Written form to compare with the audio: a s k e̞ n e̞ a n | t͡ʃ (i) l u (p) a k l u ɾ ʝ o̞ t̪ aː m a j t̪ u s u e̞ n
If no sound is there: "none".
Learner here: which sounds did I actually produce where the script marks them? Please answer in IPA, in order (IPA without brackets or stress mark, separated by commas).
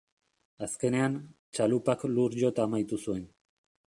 a, p